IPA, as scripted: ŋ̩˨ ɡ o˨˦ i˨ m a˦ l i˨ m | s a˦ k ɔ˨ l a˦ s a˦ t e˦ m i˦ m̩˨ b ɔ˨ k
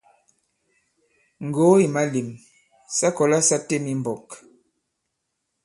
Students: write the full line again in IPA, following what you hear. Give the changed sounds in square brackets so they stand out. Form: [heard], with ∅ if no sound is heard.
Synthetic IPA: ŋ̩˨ ɡ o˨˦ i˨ m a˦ l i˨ m | s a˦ k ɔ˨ l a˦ s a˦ t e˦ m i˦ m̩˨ b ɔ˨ k